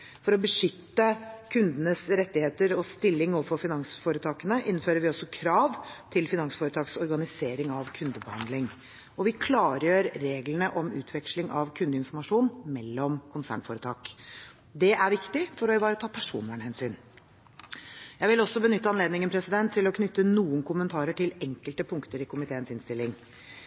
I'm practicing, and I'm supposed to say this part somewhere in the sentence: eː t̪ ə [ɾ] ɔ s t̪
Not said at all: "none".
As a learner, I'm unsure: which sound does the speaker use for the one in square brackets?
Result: ɾ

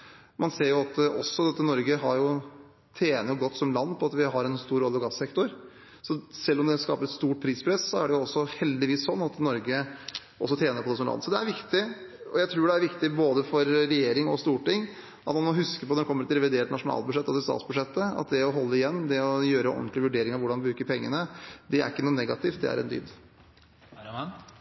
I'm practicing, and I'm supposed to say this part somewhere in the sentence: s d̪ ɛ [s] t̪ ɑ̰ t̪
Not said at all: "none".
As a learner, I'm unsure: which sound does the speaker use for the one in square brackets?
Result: s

